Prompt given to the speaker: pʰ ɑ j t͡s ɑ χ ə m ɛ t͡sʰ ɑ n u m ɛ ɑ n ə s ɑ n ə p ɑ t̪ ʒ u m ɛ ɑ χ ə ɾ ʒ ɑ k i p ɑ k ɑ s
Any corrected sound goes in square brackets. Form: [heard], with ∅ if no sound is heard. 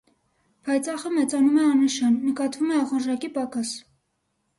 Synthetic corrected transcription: pʰ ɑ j t͡s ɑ χ ə m ɛ [t͡s] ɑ n u m ɛ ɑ n ə [ʃ] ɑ [nː] ə [k] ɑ t̪ [v] u m ɛ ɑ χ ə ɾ ʒ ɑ k i p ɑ k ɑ s